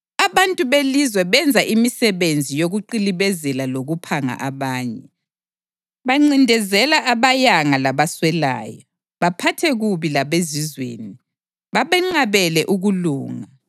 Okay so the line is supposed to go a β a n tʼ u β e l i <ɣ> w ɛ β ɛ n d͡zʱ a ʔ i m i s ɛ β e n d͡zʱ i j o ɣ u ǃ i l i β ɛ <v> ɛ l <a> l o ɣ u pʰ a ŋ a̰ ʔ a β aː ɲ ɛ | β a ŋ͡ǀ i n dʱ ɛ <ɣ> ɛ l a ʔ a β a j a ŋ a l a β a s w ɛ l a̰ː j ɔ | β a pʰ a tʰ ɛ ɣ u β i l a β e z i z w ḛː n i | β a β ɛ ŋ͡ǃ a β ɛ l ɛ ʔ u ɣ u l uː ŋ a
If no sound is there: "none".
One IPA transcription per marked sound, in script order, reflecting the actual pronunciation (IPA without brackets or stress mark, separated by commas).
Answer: z, z, a, z